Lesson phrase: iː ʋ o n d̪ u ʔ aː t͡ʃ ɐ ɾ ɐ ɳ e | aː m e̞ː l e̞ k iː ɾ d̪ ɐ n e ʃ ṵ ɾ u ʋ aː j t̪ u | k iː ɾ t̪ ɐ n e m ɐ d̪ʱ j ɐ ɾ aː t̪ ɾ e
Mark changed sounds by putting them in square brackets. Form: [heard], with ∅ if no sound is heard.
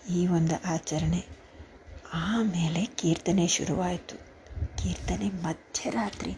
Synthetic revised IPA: iː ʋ o n d̪ u ʔ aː t͡ʃ ɐ ɾ ɐ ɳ e | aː m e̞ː l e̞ k iː ɾ [t̪] ɐ n e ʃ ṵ ɾ u ʋ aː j t̪ u | k iː ɾ t̪ ɐ n e m ɐ d̪ʱ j ɐ ɾ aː t̪ ɾ [i]